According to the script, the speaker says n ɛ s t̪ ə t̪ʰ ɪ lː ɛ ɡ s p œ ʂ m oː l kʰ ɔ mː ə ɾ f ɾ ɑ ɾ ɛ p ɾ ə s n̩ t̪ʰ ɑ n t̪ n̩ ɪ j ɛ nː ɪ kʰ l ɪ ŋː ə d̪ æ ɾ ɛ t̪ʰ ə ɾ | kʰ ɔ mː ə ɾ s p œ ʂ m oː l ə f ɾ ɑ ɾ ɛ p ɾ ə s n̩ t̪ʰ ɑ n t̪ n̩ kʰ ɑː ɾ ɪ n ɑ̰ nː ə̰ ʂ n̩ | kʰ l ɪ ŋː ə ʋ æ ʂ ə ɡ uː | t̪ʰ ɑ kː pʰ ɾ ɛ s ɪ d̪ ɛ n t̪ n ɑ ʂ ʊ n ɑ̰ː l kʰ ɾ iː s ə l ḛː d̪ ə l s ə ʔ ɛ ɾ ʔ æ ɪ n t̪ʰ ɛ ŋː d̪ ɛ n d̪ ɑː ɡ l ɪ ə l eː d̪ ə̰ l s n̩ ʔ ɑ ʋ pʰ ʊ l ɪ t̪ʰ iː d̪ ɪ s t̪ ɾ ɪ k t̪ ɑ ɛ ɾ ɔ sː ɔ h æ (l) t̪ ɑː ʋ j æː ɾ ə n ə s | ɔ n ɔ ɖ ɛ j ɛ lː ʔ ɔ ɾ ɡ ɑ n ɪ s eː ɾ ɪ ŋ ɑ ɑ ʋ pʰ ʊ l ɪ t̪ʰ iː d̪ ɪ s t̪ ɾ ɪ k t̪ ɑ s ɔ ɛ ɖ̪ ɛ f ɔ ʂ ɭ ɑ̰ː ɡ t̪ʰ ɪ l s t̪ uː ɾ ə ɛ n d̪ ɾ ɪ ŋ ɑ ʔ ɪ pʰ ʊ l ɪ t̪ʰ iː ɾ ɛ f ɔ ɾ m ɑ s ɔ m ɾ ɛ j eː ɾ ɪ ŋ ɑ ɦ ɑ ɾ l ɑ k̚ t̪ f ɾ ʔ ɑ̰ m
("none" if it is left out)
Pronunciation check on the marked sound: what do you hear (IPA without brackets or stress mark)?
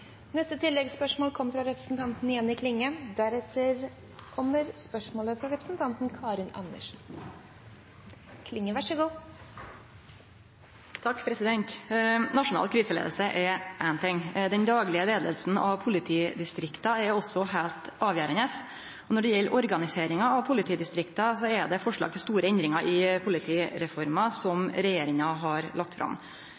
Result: l